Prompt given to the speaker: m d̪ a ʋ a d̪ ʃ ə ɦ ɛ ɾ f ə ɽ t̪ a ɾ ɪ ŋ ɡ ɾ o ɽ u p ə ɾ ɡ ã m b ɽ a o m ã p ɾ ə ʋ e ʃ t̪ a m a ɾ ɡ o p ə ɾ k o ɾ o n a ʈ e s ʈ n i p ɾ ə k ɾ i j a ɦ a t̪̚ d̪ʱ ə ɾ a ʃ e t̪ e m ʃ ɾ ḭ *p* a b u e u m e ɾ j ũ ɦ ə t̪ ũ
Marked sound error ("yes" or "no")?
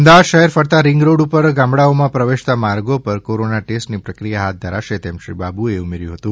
yes